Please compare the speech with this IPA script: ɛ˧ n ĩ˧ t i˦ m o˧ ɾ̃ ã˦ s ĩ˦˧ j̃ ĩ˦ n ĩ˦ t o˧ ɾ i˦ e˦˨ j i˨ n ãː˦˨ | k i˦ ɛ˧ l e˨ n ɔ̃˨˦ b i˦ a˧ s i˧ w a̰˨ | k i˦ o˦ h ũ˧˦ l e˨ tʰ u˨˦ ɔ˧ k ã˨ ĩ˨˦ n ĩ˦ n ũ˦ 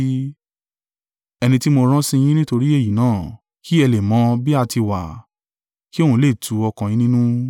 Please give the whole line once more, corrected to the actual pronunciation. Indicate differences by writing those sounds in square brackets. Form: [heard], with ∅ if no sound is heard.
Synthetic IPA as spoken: ɛ˧ n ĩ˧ t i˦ m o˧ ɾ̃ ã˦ s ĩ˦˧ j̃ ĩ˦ n ĩ˦ t o˧ ɾ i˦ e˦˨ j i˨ n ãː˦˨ | k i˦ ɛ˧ l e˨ [m] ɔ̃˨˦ b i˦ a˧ [t] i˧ w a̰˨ | k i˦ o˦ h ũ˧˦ l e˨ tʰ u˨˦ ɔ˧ k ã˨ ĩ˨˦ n ĩ˦ n ũ˦